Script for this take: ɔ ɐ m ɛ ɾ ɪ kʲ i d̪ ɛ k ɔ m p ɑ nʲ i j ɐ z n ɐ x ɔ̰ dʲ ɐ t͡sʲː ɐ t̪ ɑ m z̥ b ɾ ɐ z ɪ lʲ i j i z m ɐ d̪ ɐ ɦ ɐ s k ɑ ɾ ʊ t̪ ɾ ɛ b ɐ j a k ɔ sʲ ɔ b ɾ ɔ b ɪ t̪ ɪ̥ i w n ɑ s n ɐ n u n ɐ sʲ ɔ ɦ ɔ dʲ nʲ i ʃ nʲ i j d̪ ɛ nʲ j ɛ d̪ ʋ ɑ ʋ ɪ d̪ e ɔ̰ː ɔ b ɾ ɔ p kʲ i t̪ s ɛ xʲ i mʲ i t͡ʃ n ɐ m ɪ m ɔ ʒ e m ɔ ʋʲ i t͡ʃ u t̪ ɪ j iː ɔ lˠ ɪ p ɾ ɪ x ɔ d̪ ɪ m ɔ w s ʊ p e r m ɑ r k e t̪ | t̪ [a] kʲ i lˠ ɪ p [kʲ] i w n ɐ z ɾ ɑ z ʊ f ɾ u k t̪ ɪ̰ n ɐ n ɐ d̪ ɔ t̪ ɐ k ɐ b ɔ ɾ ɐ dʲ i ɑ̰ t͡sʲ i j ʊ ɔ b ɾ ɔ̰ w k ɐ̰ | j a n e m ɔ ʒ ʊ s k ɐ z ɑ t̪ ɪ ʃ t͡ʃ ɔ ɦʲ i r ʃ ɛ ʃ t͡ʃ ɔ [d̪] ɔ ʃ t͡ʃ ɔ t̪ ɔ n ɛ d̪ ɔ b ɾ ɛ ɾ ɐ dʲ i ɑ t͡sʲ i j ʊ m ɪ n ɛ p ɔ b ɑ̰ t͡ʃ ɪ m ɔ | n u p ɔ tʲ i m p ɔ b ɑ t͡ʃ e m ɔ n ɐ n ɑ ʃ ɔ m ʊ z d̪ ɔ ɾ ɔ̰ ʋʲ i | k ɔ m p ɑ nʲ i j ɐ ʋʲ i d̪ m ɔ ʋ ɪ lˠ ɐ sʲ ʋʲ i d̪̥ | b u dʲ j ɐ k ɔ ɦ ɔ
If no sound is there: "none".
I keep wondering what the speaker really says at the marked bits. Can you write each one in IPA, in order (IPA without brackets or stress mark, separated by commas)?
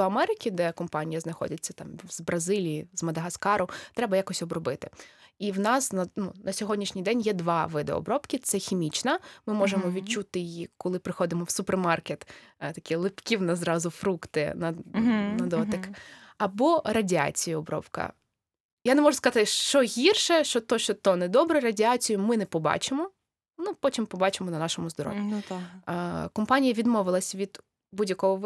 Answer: ɐ, kʲ, t̪